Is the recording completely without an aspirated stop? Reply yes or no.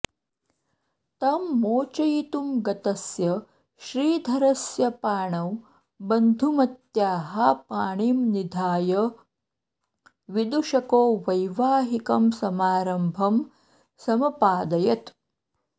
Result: yes